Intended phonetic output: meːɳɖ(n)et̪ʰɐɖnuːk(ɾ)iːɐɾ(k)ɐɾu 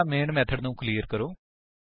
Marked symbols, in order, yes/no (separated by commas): no, no, yes